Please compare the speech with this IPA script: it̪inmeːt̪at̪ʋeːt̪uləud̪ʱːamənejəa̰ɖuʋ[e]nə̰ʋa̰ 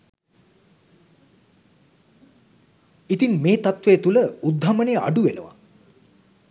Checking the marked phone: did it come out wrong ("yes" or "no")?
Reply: no